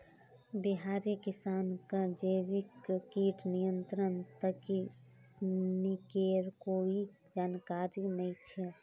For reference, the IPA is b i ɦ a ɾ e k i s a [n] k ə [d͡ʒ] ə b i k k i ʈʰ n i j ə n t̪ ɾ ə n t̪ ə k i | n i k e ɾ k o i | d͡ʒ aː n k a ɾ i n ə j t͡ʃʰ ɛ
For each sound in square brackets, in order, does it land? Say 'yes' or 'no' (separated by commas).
yes, yes